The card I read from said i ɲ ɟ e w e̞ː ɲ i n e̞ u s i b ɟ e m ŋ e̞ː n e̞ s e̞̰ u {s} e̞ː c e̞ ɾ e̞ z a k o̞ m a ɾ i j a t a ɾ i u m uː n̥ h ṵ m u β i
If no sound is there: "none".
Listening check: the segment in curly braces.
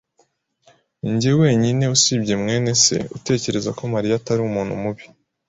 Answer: t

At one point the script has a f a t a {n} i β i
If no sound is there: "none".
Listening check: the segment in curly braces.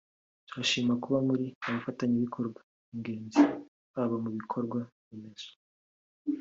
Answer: ɲ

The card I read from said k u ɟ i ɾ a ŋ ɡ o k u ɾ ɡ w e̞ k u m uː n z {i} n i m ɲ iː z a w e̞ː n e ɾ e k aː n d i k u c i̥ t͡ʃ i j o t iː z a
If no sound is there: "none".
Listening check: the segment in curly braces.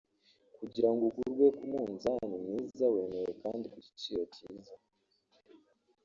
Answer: a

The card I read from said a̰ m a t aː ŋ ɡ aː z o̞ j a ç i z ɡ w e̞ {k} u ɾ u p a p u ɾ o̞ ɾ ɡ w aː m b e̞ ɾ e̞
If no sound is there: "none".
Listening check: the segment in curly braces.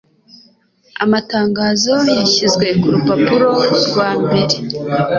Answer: k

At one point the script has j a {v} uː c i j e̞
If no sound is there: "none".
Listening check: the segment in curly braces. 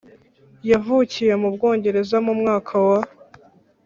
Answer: v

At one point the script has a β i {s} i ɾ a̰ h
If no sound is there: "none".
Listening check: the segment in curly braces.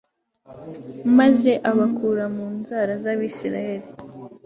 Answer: s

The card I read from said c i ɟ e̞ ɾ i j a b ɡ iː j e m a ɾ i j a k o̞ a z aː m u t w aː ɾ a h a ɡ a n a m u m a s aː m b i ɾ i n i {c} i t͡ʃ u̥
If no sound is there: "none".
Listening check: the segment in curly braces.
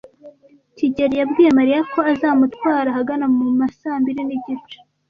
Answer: ɟ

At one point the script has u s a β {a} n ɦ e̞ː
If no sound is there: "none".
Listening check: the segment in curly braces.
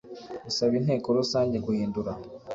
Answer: i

